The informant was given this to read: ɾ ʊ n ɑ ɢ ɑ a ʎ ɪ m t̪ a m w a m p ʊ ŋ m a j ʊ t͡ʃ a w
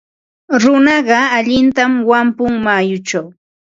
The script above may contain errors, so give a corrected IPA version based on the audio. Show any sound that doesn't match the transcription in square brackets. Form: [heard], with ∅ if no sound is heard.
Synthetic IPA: ɾ ʊ n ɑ ɢ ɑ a ʎ ɪ [n] t̪ a m w a m p ʊ ŋ m a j ʊ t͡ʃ a w